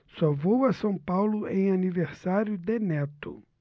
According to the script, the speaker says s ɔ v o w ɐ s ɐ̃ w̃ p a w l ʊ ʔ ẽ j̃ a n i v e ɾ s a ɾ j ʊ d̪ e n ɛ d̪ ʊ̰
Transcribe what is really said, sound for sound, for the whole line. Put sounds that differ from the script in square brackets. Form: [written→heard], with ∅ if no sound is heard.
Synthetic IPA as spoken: s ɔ v o w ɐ s ɐ̃ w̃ p a w l ʊ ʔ ẽ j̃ a n i v e ɾ s a ɾ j ʊ d̪ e n ɛ [d̪→t̪] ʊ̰